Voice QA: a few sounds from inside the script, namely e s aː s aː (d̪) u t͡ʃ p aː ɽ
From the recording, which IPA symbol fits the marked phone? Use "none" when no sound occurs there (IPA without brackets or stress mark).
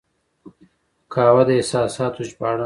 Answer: t̪